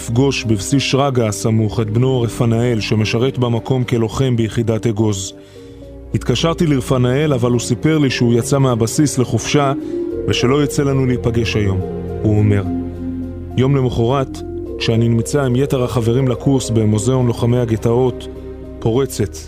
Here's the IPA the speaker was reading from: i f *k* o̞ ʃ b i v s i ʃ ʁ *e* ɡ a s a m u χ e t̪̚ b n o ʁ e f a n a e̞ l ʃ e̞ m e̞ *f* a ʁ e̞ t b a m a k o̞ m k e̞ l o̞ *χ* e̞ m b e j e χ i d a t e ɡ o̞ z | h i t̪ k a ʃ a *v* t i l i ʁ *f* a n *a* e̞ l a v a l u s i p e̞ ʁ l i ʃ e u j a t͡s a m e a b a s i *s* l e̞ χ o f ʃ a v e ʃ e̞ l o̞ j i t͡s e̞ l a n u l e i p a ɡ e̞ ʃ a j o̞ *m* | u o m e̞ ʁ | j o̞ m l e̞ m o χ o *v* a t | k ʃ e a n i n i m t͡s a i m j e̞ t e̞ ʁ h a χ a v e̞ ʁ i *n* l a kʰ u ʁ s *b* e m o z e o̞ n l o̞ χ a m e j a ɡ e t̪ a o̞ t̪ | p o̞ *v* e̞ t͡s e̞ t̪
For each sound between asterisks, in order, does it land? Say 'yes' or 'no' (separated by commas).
no, no, no, yes, no, yes, yes, yes, yes, no, no, yes, no